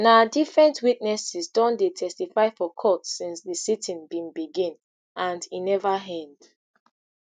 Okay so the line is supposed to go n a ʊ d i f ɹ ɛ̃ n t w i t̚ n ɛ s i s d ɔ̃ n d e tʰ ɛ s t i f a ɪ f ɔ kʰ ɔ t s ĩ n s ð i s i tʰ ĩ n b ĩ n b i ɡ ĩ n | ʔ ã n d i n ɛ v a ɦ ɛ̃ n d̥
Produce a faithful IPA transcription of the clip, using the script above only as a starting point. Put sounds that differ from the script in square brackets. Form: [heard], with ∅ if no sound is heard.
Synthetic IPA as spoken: n a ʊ d i f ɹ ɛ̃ n t w i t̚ n ɛ s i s d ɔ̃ n d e tʰ ɛ s t i f a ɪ f ɔ kʰ ɔ t s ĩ n s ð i s i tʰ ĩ n b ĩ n b i ɡ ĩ n | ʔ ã n d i n ɛ v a ɦ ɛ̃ n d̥